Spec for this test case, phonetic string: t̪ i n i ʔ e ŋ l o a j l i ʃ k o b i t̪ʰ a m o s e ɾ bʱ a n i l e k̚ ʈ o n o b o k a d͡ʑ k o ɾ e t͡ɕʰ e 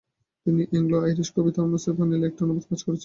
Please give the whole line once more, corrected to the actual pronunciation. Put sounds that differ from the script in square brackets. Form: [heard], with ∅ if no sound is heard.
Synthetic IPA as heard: t̪ i n i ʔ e ŋ l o a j [ɾ] i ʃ k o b i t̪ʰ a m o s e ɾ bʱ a n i l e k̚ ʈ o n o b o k a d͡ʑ k o ɾ e t͡ɕʰ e